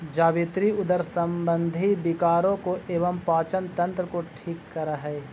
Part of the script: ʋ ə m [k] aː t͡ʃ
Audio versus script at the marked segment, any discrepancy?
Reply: yes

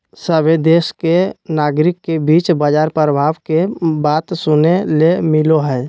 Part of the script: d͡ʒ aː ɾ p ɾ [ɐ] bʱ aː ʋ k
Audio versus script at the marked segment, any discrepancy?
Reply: yes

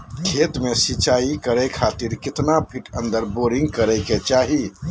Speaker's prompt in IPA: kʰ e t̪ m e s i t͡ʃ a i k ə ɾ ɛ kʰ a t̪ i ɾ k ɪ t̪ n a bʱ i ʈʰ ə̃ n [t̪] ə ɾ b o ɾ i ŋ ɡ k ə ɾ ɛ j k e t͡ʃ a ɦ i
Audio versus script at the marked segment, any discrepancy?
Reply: yes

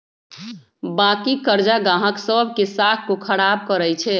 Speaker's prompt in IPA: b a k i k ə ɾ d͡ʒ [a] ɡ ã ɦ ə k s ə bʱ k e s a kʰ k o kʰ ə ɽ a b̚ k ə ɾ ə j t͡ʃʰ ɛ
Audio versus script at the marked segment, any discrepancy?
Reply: no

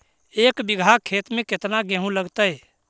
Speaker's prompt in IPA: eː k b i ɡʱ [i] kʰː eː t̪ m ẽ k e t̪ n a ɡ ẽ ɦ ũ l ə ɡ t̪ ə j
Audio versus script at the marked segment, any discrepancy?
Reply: yes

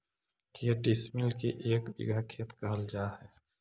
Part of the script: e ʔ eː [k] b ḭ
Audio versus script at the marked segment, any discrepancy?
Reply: no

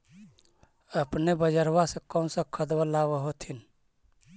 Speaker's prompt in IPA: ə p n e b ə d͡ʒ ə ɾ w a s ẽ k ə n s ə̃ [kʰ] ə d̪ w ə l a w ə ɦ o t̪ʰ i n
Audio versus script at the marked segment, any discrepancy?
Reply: no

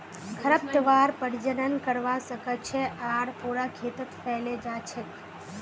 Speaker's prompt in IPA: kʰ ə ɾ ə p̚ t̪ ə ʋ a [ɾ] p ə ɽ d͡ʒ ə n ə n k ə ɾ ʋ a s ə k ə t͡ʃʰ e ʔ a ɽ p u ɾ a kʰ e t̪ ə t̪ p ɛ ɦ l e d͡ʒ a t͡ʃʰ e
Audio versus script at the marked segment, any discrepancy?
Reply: no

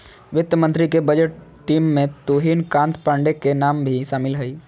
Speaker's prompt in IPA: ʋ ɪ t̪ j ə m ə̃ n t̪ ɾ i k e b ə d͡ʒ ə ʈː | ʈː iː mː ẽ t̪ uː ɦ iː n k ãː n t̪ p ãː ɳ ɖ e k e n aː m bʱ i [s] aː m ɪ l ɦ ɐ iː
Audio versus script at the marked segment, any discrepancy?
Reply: yes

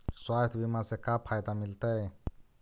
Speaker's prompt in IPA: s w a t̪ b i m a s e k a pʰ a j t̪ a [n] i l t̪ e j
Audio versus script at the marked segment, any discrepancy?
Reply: yes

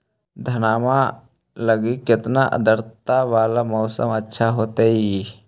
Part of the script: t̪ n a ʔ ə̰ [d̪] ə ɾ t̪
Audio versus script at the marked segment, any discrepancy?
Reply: no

